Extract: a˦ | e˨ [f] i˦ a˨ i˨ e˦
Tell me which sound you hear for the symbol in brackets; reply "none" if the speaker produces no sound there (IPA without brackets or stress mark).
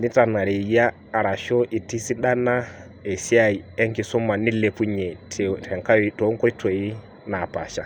s